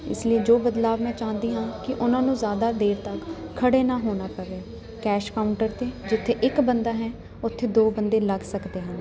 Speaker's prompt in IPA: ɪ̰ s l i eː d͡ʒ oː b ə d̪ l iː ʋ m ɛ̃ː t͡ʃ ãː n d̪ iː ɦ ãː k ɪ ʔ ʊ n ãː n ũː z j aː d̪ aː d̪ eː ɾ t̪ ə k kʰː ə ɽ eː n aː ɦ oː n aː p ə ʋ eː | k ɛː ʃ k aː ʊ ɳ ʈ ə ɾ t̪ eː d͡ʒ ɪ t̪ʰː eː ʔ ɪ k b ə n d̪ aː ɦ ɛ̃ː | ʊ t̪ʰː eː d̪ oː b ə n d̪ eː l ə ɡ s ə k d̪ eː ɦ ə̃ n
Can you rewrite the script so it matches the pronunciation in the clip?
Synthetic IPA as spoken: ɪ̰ s l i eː d͡ʒ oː b ə d̪ l aː ʋ m ɛ̃ː t͡ʃ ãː n d̪ iː ɦ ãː k ɪ ʔ ʊ n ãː n ũː z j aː d̪ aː d̪ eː ɾ t̪ ə k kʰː ə ɽ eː n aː ɦ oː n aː p ə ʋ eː | k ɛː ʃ k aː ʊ ɳ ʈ ə ɾ t̪ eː d͡ʒ ɪ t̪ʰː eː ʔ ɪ k b ə n d̪ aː ɦ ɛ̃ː | ʊ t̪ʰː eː d̪ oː b ə n d̪ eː l ə ɡ s ə k d̪ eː ɦ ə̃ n